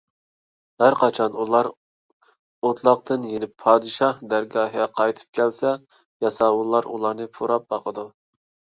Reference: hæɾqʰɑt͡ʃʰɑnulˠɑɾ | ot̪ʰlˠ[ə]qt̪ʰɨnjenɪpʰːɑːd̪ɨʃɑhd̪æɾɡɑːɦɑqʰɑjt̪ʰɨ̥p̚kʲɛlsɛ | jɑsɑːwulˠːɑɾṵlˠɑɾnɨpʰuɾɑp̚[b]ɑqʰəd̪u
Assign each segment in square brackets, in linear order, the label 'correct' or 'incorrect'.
incorrect: ɑ, correct

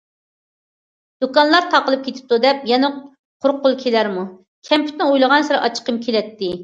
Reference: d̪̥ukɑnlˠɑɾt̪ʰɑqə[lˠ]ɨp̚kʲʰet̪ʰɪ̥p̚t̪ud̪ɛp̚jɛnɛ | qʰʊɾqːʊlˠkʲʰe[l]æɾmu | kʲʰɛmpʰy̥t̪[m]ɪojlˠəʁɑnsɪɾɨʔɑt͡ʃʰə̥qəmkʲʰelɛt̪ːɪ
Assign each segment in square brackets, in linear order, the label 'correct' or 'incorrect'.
correct, correct, incorrect: n

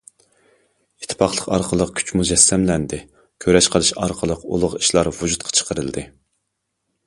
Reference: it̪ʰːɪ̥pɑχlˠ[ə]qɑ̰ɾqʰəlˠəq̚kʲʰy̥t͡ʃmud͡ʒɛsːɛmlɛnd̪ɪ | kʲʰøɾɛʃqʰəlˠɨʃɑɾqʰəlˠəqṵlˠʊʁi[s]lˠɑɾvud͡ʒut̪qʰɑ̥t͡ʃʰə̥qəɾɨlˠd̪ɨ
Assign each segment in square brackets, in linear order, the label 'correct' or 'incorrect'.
correct, incorrect: ʃ

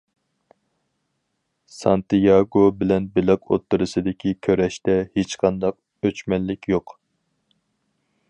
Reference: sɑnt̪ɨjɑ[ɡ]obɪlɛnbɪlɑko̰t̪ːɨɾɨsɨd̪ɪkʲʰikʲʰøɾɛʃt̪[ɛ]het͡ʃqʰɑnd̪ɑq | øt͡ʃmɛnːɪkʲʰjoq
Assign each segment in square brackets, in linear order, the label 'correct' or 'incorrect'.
correct, correct

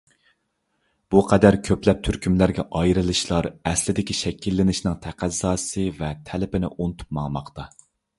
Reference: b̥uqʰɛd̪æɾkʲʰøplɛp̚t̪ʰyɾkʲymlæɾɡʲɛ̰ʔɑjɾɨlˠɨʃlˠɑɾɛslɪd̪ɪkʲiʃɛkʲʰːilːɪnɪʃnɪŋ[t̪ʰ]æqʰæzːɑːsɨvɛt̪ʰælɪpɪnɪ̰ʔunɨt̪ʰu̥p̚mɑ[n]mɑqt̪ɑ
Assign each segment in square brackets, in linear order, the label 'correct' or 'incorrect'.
correct, incorrect: ŋ

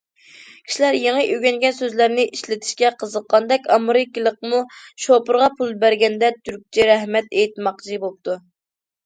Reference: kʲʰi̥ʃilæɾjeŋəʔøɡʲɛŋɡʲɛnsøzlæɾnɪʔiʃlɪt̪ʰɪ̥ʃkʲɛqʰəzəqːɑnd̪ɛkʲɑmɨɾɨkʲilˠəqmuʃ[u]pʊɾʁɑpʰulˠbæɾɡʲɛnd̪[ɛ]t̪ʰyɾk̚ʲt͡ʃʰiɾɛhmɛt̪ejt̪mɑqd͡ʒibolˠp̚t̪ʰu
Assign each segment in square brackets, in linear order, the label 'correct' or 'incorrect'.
incorrect: o, correct

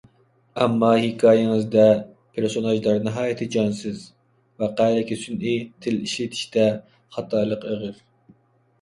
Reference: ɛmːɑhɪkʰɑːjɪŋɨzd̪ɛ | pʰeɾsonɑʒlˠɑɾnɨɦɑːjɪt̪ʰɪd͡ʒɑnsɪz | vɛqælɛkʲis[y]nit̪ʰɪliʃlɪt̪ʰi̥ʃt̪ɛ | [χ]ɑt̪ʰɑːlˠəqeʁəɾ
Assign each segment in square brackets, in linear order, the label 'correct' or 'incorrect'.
correct, correct

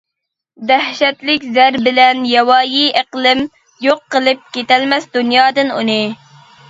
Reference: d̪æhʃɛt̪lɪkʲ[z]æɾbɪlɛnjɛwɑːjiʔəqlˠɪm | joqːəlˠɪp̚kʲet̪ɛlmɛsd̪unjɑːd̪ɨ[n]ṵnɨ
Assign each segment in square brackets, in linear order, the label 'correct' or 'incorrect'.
correct, correct

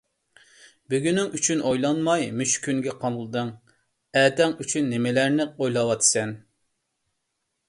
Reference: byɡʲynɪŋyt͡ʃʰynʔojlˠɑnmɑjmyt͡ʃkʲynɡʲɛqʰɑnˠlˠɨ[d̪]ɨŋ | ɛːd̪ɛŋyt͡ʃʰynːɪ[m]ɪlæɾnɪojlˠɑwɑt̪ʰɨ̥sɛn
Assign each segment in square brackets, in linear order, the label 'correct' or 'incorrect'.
correct, correct

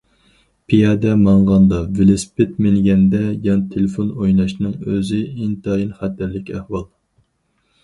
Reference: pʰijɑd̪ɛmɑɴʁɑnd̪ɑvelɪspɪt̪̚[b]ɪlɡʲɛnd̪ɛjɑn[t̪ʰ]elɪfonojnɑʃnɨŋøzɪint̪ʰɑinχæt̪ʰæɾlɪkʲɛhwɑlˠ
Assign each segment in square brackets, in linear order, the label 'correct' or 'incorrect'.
incorrect: m, correct

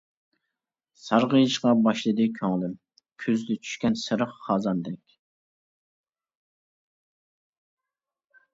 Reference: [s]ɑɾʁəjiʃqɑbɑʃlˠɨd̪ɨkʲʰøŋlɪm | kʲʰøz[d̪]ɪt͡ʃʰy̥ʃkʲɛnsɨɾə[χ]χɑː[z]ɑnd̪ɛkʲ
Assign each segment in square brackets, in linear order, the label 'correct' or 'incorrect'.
correct, correct, correct, correct

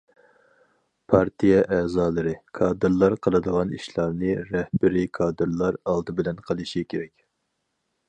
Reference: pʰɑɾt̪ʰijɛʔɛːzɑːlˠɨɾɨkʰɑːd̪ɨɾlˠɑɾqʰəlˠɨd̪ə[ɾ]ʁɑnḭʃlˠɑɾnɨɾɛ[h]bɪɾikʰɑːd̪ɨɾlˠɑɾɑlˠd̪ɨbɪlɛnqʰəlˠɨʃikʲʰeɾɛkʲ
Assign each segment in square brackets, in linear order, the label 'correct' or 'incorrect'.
incorrect: none, correct

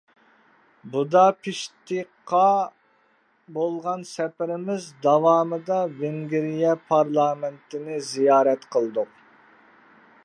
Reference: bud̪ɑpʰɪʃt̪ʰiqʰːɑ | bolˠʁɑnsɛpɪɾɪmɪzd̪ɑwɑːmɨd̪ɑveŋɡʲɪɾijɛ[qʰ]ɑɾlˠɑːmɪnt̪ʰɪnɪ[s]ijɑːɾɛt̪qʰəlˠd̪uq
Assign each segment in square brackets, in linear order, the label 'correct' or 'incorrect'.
incorrect: pʰ, incorrect: z

